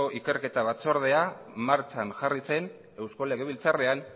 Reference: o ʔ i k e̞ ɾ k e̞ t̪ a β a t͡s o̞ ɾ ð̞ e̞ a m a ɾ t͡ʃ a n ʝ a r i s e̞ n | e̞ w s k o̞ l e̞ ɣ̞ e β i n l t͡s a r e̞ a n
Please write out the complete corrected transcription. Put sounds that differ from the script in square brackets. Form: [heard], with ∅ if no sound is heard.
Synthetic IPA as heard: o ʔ i k e̞ ɾ k e̞ t̪ a β a t͡s o̞ ɾ ð̞ e̞ a m a ɾ t͡ʃ a n ʝ a r i s e̞ n | e̞ w s k o̞ l e̞ ɣ̞ e β i [∅] l t͡s a r e̞ a n